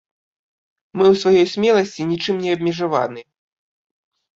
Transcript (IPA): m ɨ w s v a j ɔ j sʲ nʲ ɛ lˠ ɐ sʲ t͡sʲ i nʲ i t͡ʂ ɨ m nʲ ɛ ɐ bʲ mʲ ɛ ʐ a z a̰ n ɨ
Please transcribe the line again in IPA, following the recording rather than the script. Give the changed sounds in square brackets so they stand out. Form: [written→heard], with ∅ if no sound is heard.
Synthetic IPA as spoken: m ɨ w s v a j ɔ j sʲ [nʲ→mʲ] ɛ lˠ ɐ sʲ t͡sʲ i nʲ i t͡ʂ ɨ m nʲ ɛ ɐ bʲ mʲ ɛ ʐ a [z→v] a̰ n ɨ